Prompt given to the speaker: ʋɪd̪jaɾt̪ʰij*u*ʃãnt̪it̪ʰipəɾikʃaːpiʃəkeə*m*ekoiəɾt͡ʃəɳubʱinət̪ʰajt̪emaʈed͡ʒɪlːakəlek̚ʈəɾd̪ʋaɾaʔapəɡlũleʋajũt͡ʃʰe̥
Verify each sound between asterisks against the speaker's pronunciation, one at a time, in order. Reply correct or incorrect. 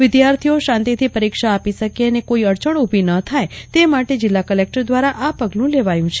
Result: incorrect, incorrect

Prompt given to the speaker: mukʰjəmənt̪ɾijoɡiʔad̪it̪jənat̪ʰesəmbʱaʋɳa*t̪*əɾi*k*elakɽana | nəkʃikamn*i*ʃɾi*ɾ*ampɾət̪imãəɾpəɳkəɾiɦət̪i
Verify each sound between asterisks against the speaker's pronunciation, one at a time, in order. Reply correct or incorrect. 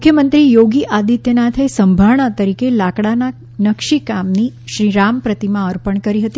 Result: correct, correct, correct, correct

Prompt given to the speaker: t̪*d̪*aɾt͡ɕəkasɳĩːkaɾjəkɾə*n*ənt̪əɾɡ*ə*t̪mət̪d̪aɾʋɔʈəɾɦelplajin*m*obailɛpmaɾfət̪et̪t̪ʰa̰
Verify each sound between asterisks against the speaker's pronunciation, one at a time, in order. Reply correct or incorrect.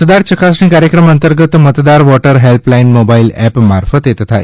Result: correct, incorrect, correct, correct

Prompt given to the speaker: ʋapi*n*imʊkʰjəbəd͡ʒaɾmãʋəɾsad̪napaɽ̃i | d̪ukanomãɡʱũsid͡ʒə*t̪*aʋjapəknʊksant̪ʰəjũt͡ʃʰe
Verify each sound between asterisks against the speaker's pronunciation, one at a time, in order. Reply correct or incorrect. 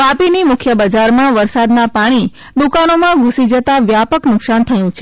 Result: correct, correct

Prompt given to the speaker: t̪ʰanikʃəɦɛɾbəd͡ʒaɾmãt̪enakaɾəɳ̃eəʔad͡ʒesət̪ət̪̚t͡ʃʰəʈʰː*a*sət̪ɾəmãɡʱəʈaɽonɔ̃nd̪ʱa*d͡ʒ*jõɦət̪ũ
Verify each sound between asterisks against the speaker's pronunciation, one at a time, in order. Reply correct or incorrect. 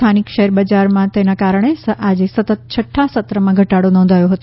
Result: correct, incorrect

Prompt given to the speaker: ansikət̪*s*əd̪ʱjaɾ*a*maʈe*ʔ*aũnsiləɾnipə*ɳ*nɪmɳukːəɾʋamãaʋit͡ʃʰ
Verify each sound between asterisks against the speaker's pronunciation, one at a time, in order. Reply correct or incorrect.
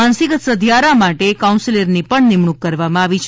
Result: correct, correct, incorrect, correct

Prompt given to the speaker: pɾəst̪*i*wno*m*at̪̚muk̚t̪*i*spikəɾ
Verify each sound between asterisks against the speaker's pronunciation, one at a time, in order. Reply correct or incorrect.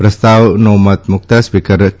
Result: incorrect, correct, incorrect

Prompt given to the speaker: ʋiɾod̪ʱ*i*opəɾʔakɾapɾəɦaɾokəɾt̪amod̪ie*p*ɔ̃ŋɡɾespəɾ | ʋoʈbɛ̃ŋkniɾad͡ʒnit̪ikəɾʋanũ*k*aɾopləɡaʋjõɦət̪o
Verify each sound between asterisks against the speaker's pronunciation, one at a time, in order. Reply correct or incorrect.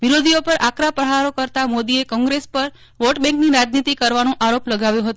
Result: correct, incorrect, incorrect

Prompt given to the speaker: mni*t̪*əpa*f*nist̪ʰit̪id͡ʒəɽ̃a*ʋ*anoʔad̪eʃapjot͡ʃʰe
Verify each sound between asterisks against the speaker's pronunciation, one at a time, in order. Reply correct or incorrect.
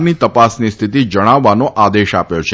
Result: correct, incorrect, incorrect

